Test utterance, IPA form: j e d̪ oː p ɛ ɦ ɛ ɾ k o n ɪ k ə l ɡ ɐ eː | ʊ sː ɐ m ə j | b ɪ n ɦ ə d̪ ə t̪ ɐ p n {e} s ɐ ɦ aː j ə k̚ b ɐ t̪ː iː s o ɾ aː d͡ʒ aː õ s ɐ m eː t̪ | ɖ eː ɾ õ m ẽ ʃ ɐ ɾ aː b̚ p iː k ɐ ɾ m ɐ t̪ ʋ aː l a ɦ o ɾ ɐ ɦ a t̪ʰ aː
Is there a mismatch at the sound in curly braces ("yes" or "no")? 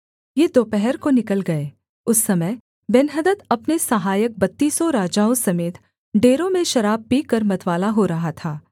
no